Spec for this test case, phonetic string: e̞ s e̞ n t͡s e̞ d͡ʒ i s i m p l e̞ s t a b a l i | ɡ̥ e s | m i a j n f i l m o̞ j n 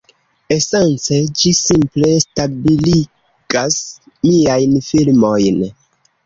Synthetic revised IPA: e̞ s e̞ n t͡s e̞ d͡ʒ i s i m p l e̞ s t a b i l i | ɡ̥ a s | m i a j n f i l m o̞ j n